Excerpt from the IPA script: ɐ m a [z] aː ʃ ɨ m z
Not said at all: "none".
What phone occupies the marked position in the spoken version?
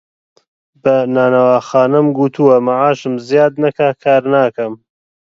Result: ʕ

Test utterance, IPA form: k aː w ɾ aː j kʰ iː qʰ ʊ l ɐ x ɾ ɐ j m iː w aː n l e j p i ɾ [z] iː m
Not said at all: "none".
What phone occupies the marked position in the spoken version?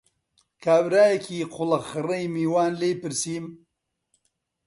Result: s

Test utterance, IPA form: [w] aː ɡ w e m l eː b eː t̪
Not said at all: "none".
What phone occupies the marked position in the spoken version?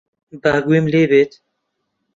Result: b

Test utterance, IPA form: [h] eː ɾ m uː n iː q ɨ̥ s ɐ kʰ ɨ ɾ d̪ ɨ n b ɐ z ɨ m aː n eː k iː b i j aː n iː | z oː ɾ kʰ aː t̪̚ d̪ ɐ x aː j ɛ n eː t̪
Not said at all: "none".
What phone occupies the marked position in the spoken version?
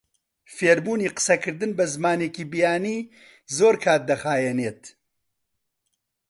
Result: f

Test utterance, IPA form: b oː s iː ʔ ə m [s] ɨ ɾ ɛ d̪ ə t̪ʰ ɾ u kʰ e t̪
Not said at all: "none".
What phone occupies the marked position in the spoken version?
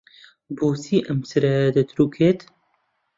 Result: s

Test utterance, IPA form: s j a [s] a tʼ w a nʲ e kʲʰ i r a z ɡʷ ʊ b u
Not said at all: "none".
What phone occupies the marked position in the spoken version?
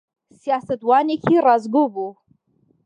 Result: s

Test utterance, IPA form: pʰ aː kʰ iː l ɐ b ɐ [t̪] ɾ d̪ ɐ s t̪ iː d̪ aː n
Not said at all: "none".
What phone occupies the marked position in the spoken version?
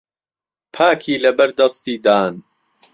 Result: none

